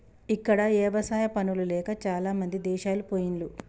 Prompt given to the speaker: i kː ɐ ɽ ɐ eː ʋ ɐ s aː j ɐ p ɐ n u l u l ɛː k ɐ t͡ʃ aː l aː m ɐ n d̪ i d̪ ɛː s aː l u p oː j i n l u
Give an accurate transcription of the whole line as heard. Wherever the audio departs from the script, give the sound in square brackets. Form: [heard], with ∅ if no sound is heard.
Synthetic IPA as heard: i kː ɐ ɽ ɐ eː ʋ ɐ s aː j ɐ p ɐ n u l u l ɛː k ɐ t͡ʃ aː l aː m ɐ n d̪ i d̪ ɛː [ʃ] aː l u p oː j i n l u